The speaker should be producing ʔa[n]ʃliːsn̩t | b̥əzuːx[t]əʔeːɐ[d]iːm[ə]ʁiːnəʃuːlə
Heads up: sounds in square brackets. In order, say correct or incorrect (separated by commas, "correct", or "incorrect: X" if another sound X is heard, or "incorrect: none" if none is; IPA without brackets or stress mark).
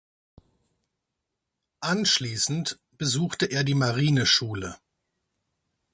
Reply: correct, correct, correct, incorrect: a